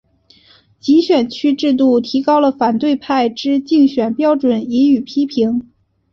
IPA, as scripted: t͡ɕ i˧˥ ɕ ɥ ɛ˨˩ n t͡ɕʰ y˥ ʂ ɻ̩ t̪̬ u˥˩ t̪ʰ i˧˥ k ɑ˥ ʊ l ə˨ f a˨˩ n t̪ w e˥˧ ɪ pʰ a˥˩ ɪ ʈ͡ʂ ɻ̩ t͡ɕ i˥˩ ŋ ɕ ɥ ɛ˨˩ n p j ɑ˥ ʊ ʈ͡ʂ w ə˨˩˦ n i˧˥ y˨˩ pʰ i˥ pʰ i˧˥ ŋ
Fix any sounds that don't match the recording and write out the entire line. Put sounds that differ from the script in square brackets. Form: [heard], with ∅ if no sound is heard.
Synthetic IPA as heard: t͡ɕ i˧˥ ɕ ɥ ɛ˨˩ n t͡ɕʰ y˥ [ʈ͡ʂ] ɻ̩ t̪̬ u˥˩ t̪ʰ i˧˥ k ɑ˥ ʊ l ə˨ f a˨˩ n t̪ w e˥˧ ɪ pʰ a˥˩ ɪ ʈ͡ʂ ɻ̩ t͡ɕ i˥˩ ŋ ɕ ɥ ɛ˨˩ n p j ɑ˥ ʊ ʈ͡ʂ w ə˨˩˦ n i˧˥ y˨˩ pʰ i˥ pʰ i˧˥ ŋ

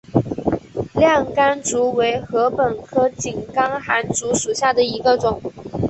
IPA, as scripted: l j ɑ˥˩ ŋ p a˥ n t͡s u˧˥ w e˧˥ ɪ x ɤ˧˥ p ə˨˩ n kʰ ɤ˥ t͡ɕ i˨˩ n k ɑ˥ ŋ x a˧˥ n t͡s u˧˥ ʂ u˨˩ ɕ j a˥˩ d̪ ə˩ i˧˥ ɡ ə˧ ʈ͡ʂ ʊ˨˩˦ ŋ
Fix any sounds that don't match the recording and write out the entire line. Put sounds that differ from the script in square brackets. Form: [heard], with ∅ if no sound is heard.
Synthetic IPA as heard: l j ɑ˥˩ ŋ [k] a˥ n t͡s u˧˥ w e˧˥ ɪ x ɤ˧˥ p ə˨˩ n kʰ ɤ˥ t͡ɕ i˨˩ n k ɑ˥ ŋ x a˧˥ n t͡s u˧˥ ʂ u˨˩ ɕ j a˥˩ d̪ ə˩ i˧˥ ɡ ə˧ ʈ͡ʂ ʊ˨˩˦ ŋ

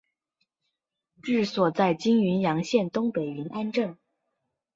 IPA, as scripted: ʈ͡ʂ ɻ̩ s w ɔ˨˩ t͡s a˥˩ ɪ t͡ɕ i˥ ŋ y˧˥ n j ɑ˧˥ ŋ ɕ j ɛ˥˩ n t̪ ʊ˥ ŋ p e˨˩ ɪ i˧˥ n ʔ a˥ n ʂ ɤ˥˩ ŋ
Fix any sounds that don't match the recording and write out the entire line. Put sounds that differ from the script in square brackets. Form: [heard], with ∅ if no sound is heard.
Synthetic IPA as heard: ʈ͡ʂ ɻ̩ s w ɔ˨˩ t͡s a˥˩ ɪ t͡ɕ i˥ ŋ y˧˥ n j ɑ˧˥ ŋ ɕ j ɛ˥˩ n t̪ ʊ˥ ŋ p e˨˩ ɪ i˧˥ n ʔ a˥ n [ʈ͡ʂ] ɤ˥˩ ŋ

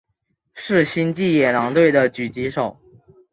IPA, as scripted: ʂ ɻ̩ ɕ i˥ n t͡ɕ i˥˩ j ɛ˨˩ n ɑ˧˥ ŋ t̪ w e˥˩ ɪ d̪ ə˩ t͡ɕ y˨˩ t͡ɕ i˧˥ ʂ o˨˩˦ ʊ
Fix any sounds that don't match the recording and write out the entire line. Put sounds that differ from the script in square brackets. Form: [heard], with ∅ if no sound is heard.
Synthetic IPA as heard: ʂ ɻ̩ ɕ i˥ n t͡ɕ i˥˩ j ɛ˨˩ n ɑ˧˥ ŋ t̪ w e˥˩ ɪ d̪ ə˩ t͡ɕ y˨˩ t͡ɕ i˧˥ ʂ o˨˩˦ ʊ

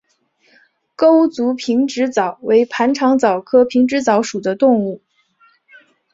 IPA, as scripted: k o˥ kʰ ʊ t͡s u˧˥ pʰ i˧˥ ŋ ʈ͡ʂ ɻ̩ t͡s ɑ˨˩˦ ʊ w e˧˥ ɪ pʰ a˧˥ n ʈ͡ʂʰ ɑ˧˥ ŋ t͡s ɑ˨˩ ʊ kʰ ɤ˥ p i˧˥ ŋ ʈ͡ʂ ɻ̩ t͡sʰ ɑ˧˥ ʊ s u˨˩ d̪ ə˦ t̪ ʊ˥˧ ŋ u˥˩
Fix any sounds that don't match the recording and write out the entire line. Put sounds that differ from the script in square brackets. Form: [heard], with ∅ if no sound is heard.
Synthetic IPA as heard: k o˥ [∅] ʊ t͡s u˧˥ pʰ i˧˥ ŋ ʈ͡ʂ ɻ̩ t͡s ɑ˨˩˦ ʊ w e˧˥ ɪ pʰ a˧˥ n ʈ͡ʂʰ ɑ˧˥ ŋ t͡s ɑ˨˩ ʊ kʰ ɤ˥ [pʰ] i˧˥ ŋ ʈ͡ʂ ɻ̩ [t͡s] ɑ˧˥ ʊ [ʂ] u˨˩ d̪ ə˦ t̪ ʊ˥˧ ŋ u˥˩

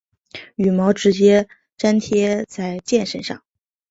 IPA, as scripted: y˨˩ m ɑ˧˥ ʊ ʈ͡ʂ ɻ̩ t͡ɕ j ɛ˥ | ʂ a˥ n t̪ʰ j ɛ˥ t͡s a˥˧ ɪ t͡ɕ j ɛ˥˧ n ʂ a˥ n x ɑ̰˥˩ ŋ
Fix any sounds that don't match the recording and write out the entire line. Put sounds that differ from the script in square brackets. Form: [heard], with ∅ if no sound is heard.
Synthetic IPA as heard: y˨˩ m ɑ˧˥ ʊ ʈ͡ʂ ɻ̩ t͡ɕ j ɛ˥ | [ʈ͡ʂ] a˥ n t̪ʰ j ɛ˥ t͡s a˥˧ ɪ t͡ɕ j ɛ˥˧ n ʂ [ə˥] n [ʂ] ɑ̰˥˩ ŋ

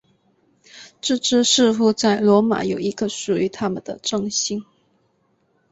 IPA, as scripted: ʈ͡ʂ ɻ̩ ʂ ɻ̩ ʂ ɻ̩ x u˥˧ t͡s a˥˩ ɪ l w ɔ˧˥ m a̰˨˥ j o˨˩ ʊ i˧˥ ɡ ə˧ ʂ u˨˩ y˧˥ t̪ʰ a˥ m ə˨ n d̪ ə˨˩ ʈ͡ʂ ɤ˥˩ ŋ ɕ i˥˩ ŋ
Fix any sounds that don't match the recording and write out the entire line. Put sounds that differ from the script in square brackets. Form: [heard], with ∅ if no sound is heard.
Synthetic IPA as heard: ʈ͡ʂ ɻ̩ [ʈ͡ʂ] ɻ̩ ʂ ɻ̩ x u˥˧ t͡s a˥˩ ɪ l w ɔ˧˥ m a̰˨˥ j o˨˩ ʊ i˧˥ ɡ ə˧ ʂ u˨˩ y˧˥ t̪ʰ a˥ m ə˨ n d̪ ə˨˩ ʈ͡ʂ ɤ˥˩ ŋ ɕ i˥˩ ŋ

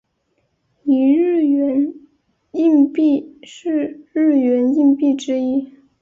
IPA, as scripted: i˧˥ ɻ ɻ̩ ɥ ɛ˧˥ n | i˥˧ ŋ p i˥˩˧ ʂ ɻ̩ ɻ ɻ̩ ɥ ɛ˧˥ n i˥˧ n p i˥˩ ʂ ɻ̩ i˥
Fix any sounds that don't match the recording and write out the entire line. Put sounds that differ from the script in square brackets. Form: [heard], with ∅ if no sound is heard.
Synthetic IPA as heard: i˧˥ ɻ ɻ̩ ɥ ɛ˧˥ n | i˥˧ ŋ p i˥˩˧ ʂ ɻ̩ ɻ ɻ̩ ɥ ɛ˧˥ n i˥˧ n p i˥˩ [ʈ͡ʂ] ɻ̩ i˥

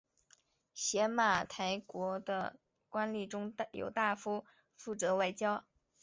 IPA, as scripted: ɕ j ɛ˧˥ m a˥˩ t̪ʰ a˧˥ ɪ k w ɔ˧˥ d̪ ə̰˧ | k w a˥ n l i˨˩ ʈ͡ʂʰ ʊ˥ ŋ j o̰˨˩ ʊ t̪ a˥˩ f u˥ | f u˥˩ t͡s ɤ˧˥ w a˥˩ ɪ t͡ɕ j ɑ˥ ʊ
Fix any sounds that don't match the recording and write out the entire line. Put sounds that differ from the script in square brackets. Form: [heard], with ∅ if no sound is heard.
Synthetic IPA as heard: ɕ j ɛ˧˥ m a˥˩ t̪ʰ a˧˥ ɪ k w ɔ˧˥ d̪ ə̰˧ | k w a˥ n l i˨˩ [ʈ͡ʂ] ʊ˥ ŋ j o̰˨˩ ʊ t̪ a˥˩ f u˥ | f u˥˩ t͡s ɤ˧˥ w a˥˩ ɪ t͡ɕ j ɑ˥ ʊ

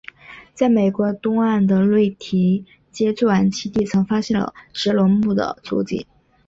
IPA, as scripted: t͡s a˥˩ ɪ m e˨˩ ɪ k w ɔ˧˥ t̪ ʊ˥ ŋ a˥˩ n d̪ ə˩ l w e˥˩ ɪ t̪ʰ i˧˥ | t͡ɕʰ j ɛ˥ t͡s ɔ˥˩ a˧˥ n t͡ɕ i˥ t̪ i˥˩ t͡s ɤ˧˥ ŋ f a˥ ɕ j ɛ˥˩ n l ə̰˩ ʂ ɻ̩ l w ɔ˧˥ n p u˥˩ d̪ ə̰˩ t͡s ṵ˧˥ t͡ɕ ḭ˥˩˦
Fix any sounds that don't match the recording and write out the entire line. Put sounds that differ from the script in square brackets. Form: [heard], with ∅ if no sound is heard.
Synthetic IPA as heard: t͡s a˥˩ ɪ m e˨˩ ɪ k w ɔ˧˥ t̪ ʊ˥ ŋ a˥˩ n d̪ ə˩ l w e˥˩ ɪ t̪ʰ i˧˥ | [t͡ɕ] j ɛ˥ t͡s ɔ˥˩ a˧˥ n [t͡ɕʰ] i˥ t̪ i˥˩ [t͡sʰ] ɤ˧˥ ŋ f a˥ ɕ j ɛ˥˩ n l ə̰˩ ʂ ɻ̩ l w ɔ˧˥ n p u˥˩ d̪ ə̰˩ t͡s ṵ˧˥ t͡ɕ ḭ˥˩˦

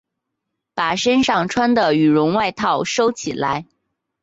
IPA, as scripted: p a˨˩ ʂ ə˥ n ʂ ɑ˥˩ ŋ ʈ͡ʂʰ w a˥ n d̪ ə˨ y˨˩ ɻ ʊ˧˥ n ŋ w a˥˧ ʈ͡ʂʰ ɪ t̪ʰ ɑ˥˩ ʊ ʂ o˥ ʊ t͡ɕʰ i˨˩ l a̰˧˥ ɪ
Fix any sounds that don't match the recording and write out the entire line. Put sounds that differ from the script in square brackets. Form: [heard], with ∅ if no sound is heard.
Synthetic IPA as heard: p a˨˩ ʂ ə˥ n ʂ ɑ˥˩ ŋ ʈ͡ʂʰ w a˥ n d̪ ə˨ y˨˩ ɻ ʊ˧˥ [∅] ŋ w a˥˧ [∅] ɪ t̪ʰ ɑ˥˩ ʊ ʂ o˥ ʊ t͡ɕʰ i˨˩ l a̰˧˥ ɪ

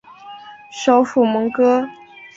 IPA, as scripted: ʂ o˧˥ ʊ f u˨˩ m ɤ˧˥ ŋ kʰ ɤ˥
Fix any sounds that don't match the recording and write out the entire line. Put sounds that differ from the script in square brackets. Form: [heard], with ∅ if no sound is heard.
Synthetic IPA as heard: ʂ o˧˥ ʊ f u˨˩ m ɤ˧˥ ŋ [k] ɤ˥

